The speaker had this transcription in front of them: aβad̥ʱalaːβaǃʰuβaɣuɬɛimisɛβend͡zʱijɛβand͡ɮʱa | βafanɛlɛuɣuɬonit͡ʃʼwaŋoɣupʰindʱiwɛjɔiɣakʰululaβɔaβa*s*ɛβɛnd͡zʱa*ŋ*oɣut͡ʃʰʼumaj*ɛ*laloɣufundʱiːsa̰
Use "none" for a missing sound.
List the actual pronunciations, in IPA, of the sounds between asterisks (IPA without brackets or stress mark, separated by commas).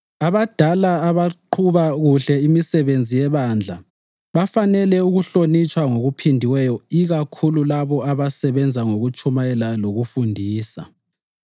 s, ŋ, ɛ